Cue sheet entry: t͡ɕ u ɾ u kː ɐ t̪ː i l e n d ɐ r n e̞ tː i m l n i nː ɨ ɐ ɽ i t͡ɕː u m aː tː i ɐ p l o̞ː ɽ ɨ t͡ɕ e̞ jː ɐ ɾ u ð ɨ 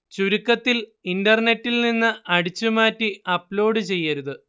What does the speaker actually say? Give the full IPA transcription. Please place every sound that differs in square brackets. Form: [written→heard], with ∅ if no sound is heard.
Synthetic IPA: t͡ɕ u ɾ u kː ɐ t̪ː i l [e→i] n d ɐ r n e̞ tː i [m→∅] l n i nː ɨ ɐ ɽ i t͡ɕː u m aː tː i ɐ p l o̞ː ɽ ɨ t͡ɕ e̞ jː ɐ ɾ u ð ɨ

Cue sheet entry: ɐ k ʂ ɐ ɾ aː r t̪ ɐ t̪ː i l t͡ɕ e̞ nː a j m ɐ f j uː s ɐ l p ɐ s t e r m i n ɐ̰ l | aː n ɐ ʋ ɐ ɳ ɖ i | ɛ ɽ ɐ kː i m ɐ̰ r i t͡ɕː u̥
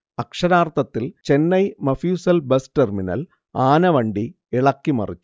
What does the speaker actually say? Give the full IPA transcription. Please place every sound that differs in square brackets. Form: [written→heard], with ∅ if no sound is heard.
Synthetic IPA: ɐ k ʂ ɐ ɾ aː r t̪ ɐ t̪ː i l t͡ɕ e̞ nː [a→ɐ] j m ɐ f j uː s ɐ l [p→b] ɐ s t e r m i n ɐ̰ l | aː n ɐ ʋ ɐ ɳ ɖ i | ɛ [ɽ→ɭ] ɐ kː i m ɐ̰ r i t͡ɕː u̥

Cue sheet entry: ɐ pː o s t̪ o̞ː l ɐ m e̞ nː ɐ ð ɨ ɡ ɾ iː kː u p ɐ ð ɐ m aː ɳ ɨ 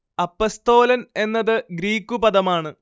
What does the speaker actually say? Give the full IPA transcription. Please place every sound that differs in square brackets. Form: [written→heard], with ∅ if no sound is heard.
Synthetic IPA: ɐ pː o s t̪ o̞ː l ɐ [m→n] e̞ nː ɐ ð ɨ ɡ ɾ iː kː u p ɐ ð ɐ m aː ɳ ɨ

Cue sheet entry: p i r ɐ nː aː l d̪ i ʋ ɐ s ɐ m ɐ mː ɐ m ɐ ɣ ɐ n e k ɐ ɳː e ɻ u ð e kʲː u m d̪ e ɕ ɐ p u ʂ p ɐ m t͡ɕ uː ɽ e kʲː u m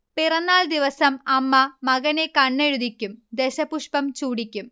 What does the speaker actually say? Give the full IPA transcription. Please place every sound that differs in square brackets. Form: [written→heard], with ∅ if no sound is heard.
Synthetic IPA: p i r ɐ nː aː l d̪ i ʋ ɐ s ɐ m ɐ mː ɐ m ɐ ɣ ɐ n e k ɐ ɳː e ɻ u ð [e→i] kʲː u m d̪ e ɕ ɐ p u ʂ p ɐ m t͡ɕ uː ɽ [e→i] kʲː u m

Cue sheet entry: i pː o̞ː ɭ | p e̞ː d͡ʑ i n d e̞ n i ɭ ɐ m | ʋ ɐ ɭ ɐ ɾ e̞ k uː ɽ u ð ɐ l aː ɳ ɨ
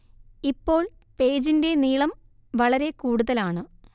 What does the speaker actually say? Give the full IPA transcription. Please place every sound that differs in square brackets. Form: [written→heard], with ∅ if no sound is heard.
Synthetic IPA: i pː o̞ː ɭ | p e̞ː d͡ʑ i n d e̞ n [i→iː] ɭ ɐ m | ʋ ɐ ɭ ɐ ɾ e̞ k uː ɽ u ð ɐ l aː ɳ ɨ

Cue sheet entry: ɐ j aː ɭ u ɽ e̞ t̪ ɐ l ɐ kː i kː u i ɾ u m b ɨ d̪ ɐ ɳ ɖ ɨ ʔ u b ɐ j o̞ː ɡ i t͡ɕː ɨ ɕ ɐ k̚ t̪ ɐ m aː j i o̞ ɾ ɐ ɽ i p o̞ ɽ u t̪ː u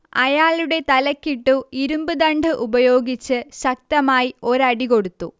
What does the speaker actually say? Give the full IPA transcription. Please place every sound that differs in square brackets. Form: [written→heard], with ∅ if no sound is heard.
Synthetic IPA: ɐ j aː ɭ u ɽ e̞ t̪ ɐ l ɐ kː i [kː→ʈː] u i ɾ u m b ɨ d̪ ɐ ɳ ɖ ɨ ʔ u b ɐ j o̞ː ɡ i t͡ɕː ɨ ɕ ɐ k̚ t̪ ɐ m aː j i o̞ ɾ ɐ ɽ i [p→k] o̞ ɽ u t̪ː u

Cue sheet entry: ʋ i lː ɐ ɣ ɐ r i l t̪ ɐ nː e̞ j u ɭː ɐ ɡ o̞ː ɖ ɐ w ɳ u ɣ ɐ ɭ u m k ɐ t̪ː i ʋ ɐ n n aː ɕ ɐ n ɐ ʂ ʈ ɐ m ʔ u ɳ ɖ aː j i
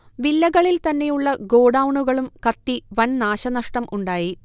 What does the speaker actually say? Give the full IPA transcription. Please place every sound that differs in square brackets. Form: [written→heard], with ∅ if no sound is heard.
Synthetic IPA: ʋ i lː ɐ ɣ ɐ [r→ɭ] i l t̪ ɐ nː e̞ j u ɭː ɐ ɡ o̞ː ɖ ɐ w ɳ u ɣ ɐ ɭ u m k ɐ t̪ː i ʋ ɐ n n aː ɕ ɐ n ɐ ʂ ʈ ɐ m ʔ u ɳ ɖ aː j i

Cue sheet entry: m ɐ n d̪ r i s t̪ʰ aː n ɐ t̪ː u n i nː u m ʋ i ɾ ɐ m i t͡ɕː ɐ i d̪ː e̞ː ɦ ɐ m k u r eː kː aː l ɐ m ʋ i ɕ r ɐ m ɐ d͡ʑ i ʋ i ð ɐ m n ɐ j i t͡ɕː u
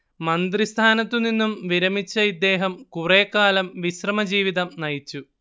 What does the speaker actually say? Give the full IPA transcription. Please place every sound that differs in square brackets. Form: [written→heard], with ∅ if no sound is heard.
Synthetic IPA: m ɐ n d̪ r i s t̪ʰ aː n ɐ t̪ː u n i nː u m ʋ i ɾ ɐ m i t͡ɕː ɐ i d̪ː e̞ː ɦ ɐ m k u r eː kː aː l ɐ m ʋ i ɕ r ɐ m ɐ d͡ʑ [i→iː] ʋ i ð ɐ m n ɐ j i t͡ɕː u

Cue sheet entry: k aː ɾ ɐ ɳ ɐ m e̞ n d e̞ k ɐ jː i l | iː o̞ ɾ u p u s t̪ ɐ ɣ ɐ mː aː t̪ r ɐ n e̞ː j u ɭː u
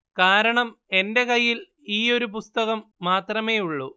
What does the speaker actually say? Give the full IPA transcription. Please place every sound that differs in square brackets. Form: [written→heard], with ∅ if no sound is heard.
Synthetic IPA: k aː ɾ ɐ ɳ ɐ m e̞ n d e̞ k ɐ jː i l | iː o̞ ɾ u p u s t̪ ɐ ɣ ɐ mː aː t̪ r ɐ [n→m] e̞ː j u ɭː u

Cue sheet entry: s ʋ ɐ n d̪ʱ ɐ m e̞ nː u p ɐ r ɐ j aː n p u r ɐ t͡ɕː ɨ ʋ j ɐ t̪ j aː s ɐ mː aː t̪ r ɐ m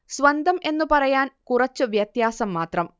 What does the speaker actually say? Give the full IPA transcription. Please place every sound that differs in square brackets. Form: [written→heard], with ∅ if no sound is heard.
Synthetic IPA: s ʋ ɐ n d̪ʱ ɐ m e̞ nː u p ɐ r ɐ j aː n [p→k] u r ɐ t͡ɕː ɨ ʋ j ɐ t̪ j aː s ɐ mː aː t̪ r ɐ m

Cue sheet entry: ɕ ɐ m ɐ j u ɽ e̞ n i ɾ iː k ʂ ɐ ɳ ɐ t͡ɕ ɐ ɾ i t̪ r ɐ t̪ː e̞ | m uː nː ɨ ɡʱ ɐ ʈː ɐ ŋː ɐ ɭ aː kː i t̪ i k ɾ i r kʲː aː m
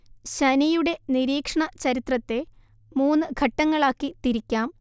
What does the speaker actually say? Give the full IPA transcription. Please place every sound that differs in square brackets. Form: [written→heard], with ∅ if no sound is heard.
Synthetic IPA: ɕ ɐ [m→n] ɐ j u ɽ e̞ n i ɾ iː k ʂ ɐ ɳ ɐ t͡ɕ ɐ ɾ i t̪ r ɐ t̪ː e̞ | m uː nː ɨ ɡʱ ɐ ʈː ɐ ŋː ɐ ɭ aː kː i t̪ i [k→∅] ɾ i [r→∅] kʲː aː m

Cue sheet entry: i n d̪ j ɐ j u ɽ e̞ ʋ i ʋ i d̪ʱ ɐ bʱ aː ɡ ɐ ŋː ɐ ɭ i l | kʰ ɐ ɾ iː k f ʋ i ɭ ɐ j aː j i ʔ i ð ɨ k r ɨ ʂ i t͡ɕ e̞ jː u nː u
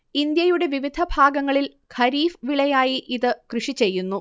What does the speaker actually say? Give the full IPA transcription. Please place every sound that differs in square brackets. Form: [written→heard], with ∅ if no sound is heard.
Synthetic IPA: i n d̪ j ɐ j u ɽ e̞ ʋ i ʋ i d̪ʱ ɐ bʱ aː ɡ ɐ ŋː ɐ ɭ i l | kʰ ɐ ɾ iː [k→∅] f ʋ i ɭ ɐ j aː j i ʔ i ð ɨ k r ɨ ʂ i t͡ɕ e̞ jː u nː u

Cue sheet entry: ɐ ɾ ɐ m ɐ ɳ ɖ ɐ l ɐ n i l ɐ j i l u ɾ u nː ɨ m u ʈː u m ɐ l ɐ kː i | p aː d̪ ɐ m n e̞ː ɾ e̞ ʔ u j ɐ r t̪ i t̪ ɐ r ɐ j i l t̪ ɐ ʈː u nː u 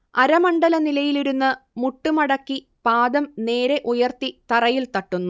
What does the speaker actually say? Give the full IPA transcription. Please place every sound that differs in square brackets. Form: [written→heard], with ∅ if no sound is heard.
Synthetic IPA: ɐ ɾ ɐ m ɐ ɳ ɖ ɐ l ɐ n i l ɐ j i l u ɾ u nː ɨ m u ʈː u m ɐ [l→ɽ] ɐ kː i | p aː d̪ ɐ m n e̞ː ɾ e̞ ʔ u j ɐ r t̪ i t̪ ɐ r ɐ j i l t̪ ɐ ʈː u nː u

